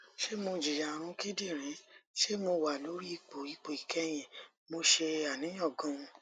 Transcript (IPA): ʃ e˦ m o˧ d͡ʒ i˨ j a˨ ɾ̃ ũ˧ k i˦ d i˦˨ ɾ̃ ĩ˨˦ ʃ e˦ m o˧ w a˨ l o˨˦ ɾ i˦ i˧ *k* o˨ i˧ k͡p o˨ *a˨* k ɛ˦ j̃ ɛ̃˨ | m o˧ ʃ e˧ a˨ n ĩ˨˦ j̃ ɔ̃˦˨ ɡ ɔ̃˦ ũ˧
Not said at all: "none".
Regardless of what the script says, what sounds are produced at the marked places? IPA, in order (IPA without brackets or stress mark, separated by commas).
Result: k͡p, i˨